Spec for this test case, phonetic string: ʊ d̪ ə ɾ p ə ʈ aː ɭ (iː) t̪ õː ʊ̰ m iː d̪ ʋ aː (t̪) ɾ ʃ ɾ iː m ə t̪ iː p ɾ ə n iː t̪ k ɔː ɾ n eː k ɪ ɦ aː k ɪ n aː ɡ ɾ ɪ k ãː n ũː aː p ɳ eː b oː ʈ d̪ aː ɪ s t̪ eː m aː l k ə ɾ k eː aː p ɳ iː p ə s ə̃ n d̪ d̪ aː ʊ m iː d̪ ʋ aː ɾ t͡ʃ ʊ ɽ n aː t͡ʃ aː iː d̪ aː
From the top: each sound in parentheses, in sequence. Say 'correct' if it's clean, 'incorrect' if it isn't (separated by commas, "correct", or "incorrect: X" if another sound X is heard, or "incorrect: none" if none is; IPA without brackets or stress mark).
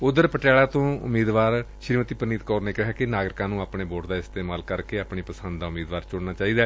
incorrect: aː, incorrect: none